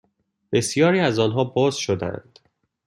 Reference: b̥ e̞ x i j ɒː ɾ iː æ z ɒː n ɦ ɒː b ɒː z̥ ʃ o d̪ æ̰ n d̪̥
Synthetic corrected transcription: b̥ e̞ s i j ɒː ɾ iː æ z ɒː n ɦ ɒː b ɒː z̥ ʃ o d̪ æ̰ n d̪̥